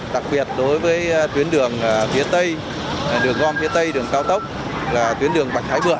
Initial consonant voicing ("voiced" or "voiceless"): voiced